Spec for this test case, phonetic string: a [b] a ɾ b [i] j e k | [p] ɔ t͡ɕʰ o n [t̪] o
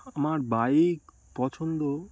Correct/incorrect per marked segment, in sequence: incorrect, incorrect, correct, incorrect

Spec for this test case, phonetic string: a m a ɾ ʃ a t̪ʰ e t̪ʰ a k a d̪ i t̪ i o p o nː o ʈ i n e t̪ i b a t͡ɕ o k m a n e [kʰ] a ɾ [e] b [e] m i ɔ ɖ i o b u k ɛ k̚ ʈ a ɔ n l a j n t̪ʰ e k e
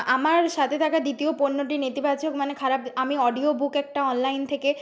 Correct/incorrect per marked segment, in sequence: correct, incorrect, incorrect

